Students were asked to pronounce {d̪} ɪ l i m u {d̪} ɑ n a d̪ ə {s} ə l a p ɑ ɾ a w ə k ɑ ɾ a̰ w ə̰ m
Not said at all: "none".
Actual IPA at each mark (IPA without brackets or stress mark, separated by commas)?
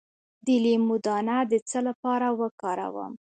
d̪, d̪, t͡s